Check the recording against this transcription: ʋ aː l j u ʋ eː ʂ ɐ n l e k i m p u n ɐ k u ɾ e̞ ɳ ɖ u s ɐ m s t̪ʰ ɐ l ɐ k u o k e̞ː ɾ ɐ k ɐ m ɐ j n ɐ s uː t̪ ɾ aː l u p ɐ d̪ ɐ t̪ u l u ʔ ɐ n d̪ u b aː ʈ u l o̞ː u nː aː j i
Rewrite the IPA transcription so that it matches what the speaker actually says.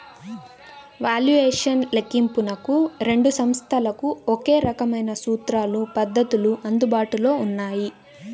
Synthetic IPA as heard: ʋ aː l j u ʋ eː ʂ ɐ n l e k i m p u n ɐ k u ɾ e̞ ɳ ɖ u s ɐ m s t̪ʰ ɐ l ɐ k u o k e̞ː ɾ ɐ k ɐ m ɐ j n ɐ s uː t̪ ɾ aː l u p ɐ d̪ː ɐ t̪ u l u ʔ ɐ n d̪ u b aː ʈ u l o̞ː u nː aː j i